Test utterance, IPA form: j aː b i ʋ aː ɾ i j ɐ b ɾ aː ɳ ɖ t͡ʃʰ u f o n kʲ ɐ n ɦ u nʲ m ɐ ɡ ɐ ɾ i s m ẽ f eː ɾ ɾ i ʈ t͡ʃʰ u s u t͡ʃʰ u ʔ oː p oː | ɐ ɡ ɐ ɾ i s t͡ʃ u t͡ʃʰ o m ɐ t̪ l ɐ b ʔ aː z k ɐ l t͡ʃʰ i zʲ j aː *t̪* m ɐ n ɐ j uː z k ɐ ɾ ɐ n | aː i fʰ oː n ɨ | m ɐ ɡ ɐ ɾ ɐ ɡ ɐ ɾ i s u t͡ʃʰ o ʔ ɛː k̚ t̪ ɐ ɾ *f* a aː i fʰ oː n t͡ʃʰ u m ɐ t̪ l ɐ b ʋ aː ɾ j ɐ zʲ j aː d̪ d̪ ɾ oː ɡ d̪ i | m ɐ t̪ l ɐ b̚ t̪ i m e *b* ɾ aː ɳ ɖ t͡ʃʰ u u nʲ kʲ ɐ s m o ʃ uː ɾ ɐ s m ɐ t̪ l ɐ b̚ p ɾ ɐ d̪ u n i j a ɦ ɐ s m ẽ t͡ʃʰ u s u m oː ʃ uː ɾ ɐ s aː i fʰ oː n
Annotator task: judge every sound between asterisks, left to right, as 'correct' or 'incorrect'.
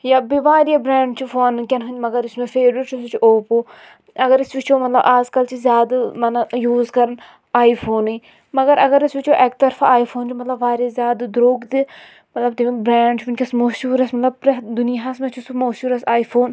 incorrect, correct, correct

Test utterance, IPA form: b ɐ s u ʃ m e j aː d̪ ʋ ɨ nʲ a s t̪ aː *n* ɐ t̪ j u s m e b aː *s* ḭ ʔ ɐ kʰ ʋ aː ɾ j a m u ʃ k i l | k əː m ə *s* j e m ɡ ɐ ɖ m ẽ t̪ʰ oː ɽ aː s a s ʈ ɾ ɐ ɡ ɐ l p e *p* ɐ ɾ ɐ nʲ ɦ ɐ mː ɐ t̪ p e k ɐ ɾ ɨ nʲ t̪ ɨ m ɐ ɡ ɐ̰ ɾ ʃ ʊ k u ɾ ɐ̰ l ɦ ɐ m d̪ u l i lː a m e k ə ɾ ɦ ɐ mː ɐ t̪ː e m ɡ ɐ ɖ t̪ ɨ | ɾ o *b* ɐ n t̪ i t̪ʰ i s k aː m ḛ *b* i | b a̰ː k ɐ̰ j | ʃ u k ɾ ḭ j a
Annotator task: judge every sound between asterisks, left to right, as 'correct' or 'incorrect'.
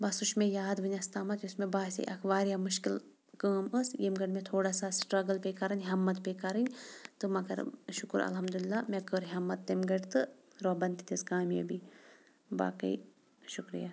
incorrect, correct, correct, incorrect, correct, correct

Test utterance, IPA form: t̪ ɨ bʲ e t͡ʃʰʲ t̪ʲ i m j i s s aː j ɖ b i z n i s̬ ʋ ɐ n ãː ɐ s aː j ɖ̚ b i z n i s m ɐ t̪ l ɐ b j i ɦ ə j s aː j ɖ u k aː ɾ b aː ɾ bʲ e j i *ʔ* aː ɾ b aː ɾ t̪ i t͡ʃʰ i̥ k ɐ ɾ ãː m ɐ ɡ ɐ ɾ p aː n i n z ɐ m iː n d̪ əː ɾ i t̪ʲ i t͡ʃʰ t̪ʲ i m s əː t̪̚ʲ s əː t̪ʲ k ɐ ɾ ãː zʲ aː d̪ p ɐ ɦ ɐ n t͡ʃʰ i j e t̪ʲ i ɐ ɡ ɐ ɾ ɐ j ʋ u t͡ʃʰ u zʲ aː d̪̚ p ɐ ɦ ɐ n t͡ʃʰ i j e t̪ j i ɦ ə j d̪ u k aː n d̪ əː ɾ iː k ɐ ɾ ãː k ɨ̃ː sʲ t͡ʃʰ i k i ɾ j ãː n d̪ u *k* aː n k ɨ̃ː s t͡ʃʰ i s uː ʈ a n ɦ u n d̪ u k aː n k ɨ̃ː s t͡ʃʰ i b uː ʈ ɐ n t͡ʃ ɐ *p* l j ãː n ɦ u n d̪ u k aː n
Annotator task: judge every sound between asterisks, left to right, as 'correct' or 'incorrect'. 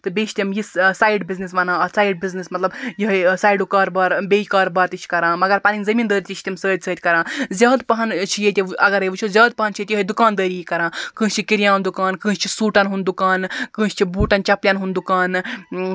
incorrect, correct, correct

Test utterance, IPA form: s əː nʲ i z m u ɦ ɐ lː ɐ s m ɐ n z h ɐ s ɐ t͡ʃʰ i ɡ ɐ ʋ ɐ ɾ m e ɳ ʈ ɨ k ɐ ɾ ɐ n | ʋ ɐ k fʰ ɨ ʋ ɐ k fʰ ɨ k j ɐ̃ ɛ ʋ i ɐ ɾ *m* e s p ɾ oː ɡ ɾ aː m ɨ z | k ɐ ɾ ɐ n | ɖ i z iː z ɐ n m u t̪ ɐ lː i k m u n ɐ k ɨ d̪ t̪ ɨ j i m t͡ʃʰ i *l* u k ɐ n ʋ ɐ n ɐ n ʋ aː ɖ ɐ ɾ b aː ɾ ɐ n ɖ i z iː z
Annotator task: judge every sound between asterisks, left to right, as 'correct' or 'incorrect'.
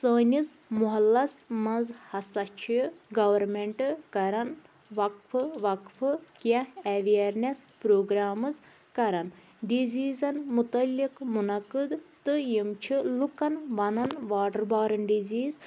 incorrect, correct

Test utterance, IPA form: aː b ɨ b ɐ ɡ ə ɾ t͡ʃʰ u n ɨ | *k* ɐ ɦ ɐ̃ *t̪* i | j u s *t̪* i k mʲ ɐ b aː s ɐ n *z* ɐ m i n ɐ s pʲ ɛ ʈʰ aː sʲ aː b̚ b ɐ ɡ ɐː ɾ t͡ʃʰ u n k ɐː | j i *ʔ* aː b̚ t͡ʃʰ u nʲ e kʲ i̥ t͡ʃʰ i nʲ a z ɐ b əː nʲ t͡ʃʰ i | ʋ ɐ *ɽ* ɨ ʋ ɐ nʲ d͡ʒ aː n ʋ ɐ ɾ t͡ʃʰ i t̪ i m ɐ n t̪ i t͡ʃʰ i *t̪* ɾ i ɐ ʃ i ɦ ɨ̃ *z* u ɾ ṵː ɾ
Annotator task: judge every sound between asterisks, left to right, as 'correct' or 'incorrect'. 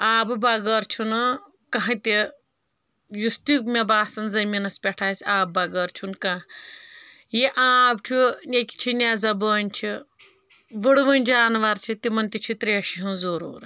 correct, correct, correct, correct, correct, correct, correct, correct

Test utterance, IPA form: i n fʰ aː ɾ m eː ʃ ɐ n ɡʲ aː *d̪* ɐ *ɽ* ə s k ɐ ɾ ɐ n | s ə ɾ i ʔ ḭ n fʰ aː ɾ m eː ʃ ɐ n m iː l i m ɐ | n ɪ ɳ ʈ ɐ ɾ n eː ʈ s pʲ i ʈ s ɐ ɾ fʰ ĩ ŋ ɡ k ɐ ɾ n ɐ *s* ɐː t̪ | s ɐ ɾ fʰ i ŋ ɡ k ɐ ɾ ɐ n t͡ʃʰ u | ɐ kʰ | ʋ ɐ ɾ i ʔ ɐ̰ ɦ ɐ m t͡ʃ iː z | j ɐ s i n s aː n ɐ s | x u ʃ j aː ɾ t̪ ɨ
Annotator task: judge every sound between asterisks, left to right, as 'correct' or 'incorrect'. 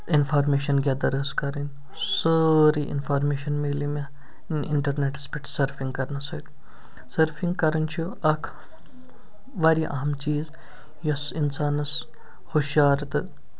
correct, incorrect, correct

